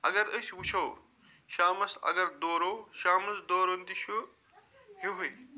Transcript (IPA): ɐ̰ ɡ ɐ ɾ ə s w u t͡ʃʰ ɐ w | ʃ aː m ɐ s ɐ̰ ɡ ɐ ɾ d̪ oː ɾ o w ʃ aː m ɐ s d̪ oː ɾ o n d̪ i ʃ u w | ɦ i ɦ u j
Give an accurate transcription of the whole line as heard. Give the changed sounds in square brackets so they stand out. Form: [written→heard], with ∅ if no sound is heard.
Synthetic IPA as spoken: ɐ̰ ɡ ɐ ɾ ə s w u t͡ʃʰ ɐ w | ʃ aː m ɐ s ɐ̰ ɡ ɐ ɾ d̪ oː ɾ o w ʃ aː m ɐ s d̪ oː ɾ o n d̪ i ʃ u [w→∅] | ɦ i ɦ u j